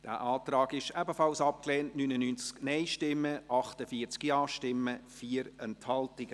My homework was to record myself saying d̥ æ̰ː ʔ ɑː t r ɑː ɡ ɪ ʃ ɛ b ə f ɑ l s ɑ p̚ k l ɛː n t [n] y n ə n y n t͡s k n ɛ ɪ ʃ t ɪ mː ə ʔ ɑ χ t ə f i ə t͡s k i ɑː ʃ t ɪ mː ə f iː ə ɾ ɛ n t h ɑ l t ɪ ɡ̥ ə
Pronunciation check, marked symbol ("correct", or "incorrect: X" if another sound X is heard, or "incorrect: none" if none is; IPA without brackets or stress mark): correct